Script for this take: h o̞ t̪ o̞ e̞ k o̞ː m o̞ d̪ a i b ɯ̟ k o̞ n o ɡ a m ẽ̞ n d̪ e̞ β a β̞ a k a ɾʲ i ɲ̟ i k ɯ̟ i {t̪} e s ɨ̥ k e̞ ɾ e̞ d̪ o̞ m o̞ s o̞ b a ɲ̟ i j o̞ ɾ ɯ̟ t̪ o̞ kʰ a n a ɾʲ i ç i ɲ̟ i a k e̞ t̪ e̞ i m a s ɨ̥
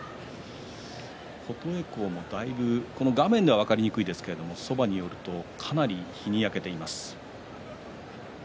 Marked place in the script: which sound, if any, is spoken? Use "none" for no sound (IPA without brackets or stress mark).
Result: d̪